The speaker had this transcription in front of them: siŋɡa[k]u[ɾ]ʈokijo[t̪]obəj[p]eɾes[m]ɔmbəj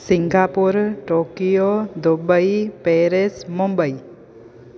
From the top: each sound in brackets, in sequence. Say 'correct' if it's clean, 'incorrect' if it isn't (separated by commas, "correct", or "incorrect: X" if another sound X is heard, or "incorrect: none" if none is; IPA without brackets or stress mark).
incorrect: p, correct, incorrect: d̪, correct, correct